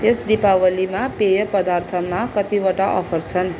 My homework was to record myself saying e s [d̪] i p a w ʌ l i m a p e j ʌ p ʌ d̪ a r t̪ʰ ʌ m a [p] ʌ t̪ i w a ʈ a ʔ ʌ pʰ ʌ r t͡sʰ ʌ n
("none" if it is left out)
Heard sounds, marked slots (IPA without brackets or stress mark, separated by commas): d̪, k